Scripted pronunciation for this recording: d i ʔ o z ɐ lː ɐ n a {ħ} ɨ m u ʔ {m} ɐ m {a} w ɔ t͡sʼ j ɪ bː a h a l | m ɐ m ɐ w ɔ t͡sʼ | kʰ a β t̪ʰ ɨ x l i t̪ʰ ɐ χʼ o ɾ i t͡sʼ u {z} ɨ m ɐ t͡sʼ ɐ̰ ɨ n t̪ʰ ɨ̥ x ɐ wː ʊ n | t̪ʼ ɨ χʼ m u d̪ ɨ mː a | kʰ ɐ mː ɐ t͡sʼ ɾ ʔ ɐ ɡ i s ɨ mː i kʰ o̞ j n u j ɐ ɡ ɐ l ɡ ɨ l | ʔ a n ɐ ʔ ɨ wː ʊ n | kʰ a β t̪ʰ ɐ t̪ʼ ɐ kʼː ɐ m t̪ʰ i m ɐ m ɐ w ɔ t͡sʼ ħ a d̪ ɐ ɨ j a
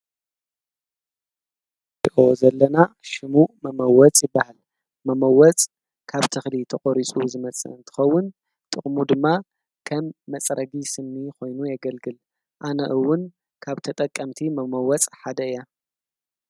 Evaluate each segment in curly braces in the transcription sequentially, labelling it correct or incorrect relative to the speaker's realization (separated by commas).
incorrect, correct, incorrect, correct